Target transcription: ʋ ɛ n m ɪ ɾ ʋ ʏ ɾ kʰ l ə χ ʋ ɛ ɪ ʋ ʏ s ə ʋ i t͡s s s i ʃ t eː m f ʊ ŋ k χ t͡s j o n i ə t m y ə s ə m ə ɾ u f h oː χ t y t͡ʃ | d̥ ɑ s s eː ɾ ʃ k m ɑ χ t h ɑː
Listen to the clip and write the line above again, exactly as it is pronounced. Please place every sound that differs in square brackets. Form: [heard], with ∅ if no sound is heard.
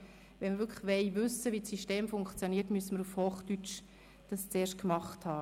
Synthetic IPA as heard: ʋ ɛ n m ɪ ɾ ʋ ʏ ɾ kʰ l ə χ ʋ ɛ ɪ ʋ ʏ s ə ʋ i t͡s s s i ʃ t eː m f ʊ ŋ k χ t͡s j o n i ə t m y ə s ə m ə ɾ u f h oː χ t y t͡ʃ | d̥ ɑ s [t͡s] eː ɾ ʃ k m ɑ χ t h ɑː